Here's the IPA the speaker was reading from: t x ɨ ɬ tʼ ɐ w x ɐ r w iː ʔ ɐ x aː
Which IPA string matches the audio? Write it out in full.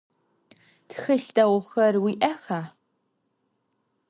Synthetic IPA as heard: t x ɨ ɬ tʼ ɐ w x ɐ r w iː ʔ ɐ x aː

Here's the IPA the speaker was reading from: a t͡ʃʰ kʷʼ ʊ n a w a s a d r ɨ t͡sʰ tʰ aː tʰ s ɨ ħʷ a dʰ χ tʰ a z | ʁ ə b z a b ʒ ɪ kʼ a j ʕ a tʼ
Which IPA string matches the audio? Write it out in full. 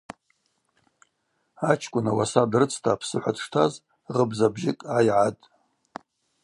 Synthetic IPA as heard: a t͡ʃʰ kʷʼ ʊ n a w a s a d r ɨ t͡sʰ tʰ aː pʰ s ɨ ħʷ a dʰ ʂ tʰ a z | ʁ ə b z a b ʒ ɪ kʼ a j ʕ a tʼ

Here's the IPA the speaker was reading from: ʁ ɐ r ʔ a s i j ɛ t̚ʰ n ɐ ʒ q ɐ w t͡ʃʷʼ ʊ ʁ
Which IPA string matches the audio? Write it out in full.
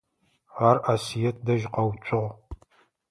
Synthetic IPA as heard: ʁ a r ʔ a s i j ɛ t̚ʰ d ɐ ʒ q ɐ w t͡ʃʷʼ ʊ ʁ

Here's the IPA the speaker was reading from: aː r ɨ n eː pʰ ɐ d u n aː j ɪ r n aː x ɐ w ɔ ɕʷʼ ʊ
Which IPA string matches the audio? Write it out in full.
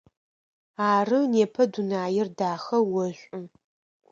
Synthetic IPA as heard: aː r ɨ n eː pʰ ɐ d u n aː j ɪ r d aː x ɐ w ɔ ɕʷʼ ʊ

